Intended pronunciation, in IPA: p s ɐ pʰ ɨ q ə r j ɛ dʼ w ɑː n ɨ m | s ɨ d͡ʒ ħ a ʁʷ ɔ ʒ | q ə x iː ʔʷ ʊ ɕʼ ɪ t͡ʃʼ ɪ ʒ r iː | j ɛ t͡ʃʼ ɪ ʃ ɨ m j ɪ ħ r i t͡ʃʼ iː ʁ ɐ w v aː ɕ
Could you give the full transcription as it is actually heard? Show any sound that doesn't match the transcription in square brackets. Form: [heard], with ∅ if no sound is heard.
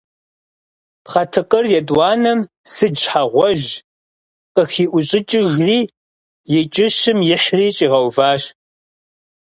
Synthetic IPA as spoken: p [χ] ɐ [tʰ] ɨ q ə r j ɛ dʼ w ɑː n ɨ m | s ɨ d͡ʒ ħ a ʁʷ ɔ ʒ | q ə x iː ʔʷ ʊ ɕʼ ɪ t͡ʃʼ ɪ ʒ r iː | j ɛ t͡ʃʼ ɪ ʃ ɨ m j ɪ ħ r [iː] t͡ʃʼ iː ʁ ɐ w v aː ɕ